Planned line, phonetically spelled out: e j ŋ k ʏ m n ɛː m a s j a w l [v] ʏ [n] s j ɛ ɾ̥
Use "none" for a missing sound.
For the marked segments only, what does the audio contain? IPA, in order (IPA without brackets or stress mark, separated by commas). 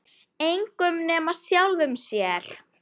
ð, m